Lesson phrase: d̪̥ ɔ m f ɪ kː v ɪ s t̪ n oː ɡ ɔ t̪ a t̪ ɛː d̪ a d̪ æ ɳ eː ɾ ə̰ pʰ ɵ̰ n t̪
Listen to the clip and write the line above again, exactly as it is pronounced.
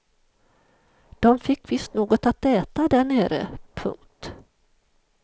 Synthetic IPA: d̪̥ ɔ m f ɪ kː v ɪ s t̪ n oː ɡ ɔ t̪ a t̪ ɛː t̪ a d̪ æ ɳ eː ɾ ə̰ pʰ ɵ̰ ŋ t̪

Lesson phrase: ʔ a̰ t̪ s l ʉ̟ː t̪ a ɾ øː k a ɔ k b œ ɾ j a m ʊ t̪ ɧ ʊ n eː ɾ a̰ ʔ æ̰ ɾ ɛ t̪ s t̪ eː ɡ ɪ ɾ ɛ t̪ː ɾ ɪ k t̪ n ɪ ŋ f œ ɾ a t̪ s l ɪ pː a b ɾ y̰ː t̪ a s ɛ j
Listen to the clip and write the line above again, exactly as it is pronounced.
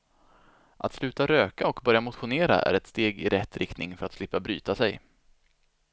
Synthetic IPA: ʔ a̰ t̪ s l ʉ̟ː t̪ a ɾ øː k a ɔ k b œ ɾ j a m ʊ t̪ ɧ ʊ n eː ɾ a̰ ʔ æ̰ ɾ ɛ t̪ s t̪ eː ɡ ɪ ɾ ɛ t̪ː ɾ ɪ k t̪ n ɪ ŋ f œ ɾ a t̪ s l ɪ pː a b ɾ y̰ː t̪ a s ɛ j

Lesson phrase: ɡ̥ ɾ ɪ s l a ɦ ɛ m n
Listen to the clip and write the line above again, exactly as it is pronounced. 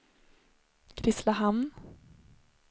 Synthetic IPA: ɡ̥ ɾ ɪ s l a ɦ a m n

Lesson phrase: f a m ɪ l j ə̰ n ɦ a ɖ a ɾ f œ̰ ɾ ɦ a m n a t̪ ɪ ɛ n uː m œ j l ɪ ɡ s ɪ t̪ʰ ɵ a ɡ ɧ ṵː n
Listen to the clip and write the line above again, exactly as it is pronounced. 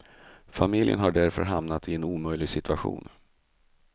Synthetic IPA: f a m ɪ l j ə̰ n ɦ a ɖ æ ɾ f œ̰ ɾ ɦ a m n a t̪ ɪ ɛ n uː m œ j l ɪ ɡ s ɪ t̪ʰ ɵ a ɧ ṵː n

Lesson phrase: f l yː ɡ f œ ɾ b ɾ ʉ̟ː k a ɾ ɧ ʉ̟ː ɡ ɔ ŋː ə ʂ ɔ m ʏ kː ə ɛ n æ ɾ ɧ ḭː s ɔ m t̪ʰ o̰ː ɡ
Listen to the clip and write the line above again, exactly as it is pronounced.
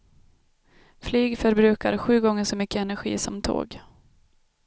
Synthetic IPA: f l yː ɡ f œ ɾ b ɾ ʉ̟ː k a ɾ ɧ ʉ̟ː ɡ ɔ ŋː ə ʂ ɔ m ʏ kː ə ɛ n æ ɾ ɧ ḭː s ɔ m t̪ʰ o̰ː ɡ

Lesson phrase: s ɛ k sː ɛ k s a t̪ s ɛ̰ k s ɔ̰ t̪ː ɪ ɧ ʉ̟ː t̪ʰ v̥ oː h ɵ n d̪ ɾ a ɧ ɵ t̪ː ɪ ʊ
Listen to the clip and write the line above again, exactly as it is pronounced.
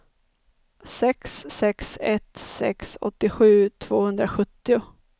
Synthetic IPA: s ɛ k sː ɛ k s ɛ t̪ s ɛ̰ k s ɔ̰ t̪ː ɪ ɧ ʉ̟ː t̪ʰ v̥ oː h ɵ n d̪ ɾ a ɧ ɵ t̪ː ɪ ʊ

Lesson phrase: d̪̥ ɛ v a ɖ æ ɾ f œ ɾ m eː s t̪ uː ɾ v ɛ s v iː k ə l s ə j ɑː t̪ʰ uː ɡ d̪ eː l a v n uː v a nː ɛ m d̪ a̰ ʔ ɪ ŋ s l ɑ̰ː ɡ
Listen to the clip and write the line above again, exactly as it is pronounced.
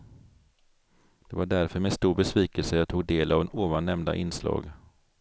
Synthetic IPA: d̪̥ ɛ v a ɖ æ ɾ f œ ɾ m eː s t̪ uː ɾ b ɛ s v iː k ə l s ə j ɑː t̪ʰ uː ɡ d̪ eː l a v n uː v a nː ɛ m d̪ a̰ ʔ ɪ n s l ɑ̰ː ɡ

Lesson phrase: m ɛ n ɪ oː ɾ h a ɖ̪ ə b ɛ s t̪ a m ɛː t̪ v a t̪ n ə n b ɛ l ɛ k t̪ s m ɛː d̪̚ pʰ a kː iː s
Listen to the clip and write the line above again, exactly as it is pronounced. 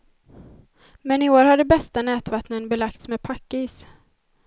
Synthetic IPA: m ɛ n ɪ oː ɾ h a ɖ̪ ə b ɛ s t̪ a n ɛː t̪ v a t̪ n ə n b ɛ l a k t̪ s m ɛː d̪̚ pʰ a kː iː s

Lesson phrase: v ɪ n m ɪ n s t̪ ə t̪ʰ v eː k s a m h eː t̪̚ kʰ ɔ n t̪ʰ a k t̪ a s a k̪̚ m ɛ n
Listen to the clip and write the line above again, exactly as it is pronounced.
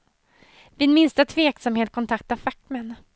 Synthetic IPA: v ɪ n m ɪ n s t̪ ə t̪ʰ v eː k s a m h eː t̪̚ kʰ ɔ n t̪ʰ a k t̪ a f a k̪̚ m ɛ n

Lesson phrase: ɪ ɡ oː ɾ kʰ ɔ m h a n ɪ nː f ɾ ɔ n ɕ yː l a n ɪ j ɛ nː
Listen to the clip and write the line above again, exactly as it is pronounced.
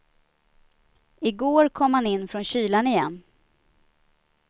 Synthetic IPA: ɪ ɡ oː ɾ kʰ ɔ m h a n ɪ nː f ɾ ɔ n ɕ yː l a n ɪ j ɛ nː

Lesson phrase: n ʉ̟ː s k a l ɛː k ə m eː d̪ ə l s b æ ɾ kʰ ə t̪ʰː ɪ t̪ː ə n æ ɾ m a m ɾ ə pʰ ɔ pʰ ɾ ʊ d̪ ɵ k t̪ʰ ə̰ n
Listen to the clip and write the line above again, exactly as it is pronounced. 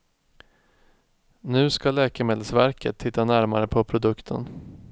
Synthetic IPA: n ʉ̟ː s k a l ɛː k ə m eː d̪ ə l s v æ ɾ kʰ ə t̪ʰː ɪ t̪ː a n æ ɾ m a ɾ ə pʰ ɔ pʰ ɾ ʊ d̪ ɵ k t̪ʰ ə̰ n

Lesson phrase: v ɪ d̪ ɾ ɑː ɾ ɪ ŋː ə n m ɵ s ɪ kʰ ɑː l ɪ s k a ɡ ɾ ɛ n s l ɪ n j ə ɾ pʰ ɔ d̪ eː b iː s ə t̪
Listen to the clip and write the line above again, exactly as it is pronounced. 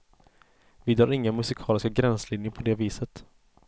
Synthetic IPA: v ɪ d̪ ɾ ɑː ɾ ɪ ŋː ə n m ɵ s ɪ kʰ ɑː l ɪ s k a ɡ ɾ ɛ n s l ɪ n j ə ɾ pʰ ɔ d̪ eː v iː s ə t̪

